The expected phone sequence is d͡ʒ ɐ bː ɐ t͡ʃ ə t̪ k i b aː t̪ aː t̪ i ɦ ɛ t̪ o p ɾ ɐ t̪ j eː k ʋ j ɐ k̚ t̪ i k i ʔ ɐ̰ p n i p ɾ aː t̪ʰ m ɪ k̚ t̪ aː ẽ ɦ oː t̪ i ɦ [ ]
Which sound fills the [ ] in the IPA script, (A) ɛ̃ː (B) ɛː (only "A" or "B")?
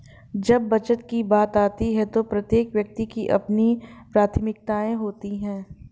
A